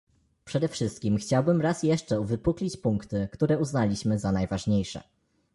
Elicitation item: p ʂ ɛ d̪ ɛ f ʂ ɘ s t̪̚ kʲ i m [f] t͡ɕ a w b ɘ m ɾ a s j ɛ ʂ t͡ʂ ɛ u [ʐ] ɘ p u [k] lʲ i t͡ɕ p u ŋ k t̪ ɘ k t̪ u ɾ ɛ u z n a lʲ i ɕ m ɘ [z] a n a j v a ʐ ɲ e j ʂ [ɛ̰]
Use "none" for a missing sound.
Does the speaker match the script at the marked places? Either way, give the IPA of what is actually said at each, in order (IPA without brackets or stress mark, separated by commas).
x, v, k, z, ɛ̰